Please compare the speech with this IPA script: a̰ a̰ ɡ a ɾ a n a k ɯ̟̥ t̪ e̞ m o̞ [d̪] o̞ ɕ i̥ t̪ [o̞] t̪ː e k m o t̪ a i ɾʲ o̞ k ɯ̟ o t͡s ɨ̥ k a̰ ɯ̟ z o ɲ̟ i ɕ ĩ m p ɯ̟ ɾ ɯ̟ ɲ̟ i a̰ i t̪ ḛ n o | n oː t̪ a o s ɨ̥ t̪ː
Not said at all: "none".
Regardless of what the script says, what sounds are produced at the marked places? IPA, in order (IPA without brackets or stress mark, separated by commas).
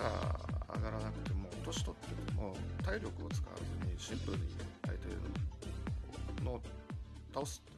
t̪, o̞